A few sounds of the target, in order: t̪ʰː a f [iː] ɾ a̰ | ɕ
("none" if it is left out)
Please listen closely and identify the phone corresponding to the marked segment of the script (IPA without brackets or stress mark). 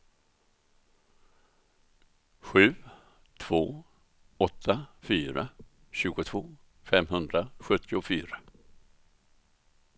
yː